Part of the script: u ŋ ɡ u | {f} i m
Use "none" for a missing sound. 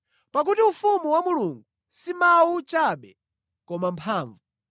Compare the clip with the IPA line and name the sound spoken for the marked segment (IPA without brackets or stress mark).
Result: s